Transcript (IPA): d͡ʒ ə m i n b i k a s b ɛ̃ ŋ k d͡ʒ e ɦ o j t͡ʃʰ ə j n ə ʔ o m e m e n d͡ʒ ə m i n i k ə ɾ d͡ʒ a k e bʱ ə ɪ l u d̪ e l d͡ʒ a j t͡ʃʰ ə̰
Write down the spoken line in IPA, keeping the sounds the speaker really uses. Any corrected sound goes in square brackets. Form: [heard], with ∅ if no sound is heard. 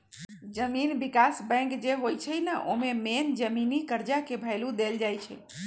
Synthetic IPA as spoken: d͡ʒ ə m i n b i k a s b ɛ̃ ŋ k d͡ʒ e ɦ o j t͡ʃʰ ə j n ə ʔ o m e m e n d͡ʒ ə m i n i k ə ɾ d͡ʒ a k e bʱ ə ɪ l u d̪ e l d͡ʒ a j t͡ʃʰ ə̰